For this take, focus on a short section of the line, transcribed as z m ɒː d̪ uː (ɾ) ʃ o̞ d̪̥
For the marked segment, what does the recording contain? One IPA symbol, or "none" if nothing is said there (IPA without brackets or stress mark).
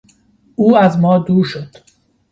ɾ